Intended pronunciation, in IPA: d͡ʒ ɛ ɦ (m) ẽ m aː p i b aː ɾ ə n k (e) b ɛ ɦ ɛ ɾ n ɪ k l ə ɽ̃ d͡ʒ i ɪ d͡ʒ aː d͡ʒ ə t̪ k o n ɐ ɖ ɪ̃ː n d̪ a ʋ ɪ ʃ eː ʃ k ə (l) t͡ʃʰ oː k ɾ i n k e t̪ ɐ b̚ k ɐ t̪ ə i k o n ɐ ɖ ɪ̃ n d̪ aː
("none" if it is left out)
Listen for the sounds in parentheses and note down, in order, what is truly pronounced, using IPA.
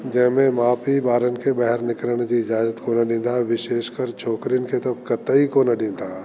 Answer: m, e, ɾ

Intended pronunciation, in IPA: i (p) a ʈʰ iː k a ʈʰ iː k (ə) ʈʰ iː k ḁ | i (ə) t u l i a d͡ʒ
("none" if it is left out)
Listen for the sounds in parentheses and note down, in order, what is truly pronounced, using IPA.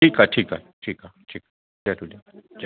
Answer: k, a, a

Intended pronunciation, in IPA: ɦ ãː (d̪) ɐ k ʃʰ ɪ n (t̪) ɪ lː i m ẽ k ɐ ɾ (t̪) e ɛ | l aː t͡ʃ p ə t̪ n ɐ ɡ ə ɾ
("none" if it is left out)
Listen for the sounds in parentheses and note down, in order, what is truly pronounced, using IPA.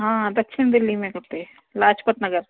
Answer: d̪, d̪, t̪

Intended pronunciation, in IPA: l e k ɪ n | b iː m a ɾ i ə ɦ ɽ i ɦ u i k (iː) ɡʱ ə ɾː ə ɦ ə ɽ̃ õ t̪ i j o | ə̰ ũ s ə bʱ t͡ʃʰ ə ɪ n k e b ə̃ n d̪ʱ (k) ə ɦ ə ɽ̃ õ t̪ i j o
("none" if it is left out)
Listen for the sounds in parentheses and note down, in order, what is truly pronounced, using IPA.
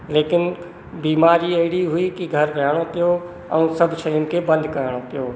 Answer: i, k

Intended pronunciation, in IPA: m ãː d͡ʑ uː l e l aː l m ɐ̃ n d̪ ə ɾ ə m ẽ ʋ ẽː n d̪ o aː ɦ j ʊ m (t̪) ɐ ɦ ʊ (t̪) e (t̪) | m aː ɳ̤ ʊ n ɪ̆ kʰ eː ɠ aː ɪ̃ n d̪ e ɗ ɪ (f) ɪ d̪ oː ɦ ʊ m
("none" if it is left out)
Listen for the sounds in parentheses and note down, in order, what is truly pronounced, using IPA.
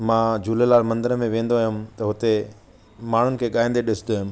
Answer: t̪, t̪, none, s

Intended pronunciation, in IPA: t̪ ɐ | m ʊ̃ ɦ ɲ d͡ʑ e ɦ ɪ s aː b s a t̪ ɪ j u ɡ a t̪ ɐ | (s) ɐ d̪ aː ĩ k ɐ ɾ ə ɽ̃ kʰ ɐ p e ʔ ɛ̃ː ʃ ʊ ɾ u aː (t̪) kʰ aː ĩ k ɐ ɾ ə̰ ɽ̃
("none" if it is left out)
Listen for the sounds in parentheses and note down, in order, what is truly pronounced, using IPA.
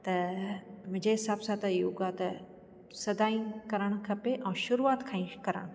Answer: s, t̪

